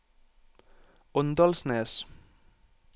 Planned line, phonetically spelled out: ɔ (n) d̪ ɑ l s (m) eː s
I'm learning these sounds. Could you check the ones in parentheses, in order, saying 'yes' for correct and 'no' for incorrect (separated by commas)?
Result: yes, no